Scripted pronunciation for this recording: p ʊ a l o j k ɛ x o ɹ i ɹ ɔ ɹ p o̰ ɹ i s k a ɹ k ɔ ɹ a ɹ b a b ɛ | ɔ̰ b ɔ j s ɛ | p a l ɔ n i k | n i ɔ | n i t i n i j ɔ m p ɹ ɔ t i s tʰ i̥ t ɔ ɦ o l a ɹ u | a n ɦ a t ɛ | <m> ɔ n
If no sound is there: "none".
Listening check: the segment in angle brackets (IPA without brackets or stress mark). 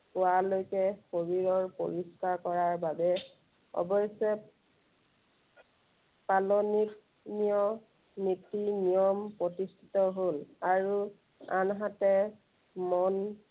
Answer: m